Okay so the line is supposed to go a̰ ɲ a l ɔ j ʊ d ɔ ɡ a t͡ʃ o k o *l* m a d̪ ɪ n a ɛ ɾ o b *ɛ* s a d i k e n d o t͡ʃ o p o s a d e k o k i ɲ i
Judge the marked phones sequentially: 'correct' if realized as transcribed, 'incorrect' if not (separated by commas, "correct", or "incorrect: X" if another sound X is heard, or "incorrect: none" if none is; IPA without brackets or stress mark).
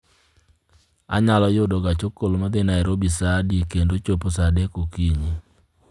correct, incorrect: i